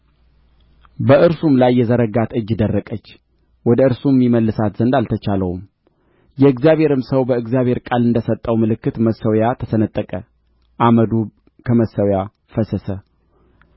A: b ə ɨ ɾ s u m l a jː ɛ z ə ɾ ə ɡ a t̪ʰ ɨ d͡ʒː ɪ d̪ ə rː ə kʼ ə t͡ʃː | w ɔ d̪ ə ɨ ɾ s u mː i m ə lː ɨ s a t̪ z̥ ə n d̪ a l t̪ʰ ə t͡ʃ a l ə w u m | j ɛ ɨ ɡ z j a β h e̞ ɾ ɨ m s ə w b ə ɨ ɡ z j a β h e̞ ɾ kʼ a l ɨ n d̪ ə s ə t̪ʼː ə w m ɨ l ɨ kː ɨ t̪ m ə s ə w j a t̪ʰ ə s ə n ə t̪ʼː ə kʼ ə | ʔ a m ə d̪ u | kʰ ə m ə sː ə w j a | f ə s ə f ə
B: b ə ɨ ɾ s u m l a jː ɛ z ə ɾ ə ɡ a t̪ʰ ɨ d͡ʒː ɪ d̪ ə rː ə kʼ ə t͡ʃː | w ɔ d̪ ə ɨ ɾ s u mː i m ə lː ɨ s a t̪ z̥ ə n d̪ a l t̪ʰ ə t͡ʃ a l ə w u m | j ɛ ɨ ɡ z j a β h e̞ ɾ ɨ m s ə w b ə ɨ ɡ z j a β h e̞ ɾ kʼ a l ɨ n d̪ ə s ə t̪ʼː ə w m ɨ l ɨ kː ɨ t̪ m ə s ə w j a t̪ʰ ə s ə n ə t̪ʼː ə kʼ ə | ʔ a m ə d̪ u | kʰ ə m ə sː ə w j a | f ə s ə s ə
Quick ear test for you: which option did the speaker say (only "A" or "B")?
B